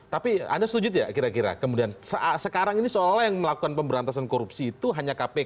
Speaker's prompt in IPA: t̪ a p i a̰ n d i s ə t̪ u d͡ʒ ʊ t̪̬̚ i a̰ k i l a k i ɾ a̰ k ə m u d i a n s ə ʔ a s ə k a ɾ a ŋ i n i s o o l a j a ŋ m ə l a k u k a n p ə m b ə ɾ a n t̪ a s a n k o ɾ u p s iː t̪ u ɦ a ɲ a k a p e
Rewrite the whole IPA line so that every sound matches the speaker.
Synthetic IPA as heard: t̪ a p i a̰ n d a s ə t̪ u d͡ʒ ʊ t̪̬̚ j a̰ k i ɾ a k i ɾ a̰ k ə m u d i a n s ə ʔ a s ə k a ɾ a ŋ i n i s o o l a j a ŋ m ə l a k u k a n p ə m b ə ɾ a n t̪ a s a n k o ɾ u p s iː t̪ u ɦ a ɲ a k a p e